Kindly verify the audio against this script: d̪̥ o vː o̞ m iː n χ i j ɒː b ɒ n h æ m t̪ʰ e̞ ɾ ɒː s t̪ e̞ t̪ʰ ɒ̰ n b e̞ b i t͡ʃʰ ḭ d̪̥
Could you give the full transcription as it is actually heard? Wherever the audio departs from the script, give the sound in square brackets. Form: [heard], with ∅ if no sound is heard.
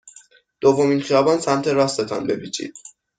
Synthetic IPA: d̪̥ o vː o̞ m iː n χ i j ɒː b ɒ n [s] æ m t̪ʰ e̞ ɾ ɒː s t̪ e̞ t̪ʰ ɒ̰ n b e̞ b i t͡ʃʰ ḭ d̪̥